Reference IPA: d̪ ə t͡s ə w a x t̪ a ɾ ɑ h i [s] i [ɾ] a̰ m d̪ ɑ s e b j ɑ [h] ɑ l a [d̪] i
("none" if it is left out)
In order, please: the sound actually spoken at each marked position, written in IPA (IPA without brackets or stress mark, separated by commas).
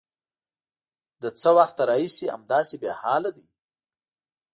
s, none, h, d̪